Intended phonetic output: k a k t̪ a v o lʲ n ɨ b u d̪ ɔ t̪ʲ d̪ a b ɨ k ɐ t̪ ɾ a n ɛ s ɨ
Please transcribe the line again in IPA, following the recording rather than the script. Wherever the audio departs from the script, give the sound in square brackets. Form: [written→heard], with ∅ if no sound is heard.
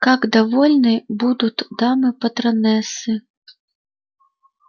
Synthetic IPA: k a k [t̪→d̪] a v [o→ɔ] lʲ n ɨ b u d̪ [ɔ→u] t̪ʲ d̪ a [b→m] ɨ [k→p] ɐ t̪ ɾ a n ɛ s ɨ